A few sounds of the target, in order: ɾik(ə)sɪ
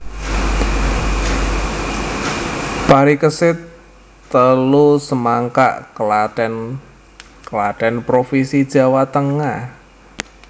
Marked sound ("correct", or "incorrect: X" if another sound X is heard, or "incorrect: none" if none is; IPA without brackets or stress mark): correct